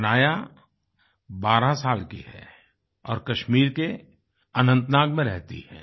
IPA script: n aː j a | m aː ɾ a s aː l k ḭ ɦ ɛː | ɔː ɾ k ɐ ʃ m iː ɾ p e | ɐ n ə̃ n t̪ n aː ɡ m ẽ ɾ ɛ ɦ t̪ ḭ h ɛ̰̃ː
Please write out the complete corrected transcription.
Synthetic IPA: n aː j a | b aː ɾ a s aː l k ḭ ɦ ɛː | ɔː ɾ k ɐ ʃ m iː ɾ k e | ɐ n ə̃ n t̪ n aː ɡ m ẽ ɾ ɛ ɦ t̪ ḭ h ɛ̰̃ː

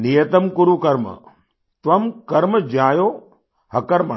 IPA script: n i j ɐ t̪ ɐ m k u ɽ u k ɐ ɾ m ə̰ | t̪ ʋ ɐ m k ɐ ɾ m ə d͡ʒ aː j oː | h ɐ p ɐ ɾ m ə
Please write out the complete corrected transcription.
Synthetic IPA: n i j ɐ t̪ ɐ m k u ɾ u k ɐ ɾ m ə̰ | t̪ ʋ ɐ m k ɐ ɾ m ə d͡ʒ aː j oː | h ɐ k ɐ ɾ m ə

